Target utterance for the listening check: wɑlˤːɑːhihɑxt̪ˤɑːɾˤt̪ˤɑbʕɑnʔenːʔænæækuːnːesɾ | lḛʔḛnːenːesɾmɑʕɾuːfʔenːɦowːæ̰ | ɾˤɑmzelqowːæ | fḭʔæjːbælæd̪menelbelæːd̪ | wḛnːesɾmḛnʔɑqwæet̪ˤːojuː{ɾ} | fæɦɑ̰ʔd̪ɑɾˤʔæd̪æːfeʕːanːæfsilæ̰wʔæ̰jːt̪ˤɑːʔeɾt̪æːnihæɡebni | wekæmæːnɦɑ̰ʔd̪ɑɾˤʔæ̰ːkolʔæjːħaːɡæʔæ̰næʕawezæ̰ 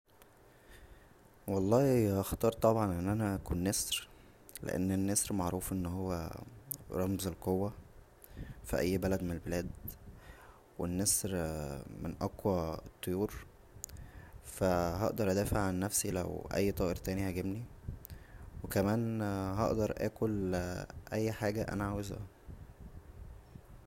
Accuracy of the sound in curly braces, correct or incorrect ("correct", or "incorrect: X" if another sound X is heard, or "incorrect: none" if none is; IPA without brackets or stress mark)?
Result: correct